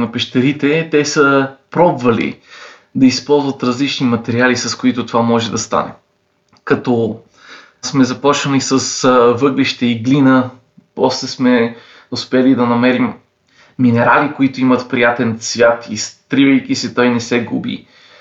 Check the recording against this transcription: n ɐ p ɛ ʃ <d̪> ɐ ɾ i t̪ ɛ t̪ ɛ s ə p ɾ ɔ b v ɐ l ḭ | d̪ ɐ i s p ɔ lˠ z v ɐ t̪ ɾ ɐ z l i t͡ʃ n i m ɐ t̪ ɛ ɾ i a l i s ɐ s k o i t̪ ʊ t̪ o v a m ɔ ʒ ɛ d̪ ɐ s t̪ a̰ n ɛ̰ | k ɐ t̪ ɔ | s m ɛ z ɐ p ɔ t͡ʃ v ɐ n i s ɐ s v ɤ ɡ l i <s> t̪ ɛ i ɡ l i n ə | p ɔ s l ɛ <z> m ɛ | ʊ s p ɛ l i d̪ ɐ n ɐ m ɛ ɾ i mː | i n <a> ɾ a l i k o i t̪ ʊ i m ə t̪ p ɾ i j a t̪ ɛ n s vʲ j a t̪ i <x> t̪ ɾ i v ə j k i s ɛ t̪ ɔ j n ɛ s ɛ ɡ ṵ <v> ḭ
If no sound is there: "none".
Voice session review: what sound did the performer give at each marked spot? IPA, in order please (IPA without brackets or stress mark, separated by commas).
t̪, ʃ, s, ɛ, s, b